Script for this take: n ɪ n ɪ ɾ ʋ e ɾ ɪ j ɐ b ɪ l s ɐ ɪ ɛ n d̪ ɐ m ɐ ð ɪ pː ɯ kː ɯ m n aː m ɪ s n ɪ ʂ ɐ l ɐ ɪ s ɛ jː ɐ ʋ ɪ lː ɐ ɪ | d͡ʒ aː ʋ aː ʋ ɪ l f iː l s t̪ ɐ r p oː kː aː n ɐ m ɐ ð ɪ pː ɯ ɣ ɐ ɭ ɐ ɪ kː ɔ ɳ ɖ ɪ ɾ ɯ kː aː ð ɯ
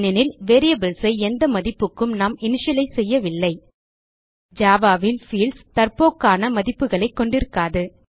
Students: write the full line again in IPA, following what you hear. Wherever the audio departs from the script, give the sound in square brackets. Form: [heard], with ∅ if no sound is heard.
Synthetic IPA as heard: n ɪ n ɪ [l] ʋ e ɾ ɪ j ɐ b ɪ l s ɐ ɪ ɛ n d̪ ɐ m ɐ ð ɪ pː ɯ kː ɯ m n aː m ɪ [∅] n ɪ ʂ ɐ l ɐ ɪ s ɛ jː ɐ ʋ ɪ lː ɐ ɪ | d͡ʒ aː ʋ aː ʋ ɪ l f iː l s t̪ ɐ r p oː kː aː n ɐ m ɐ ð ɪ pː ɯ ɣ ɐ ɭ ɐ ɪ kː ɔ ɳ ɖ ɪ ɾ ɯ kː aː ð ɯ